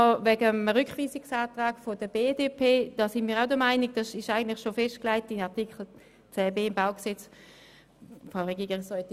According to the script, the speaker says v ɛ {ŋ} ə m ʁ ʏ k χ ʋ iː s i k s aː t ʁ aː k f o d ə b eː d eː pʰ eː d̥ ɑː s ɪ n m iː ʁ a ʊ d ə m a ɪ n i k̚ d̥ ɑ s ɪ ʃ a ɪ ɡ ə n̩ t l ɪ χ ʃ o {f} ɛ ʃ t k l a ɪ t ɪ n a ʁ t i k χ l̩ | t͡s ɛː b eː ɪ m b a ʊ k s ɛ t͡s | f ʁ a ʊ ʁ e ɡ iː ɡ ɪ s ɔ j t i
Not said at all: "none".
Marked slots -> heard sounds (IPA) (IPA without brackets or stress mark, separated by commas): ɡ, f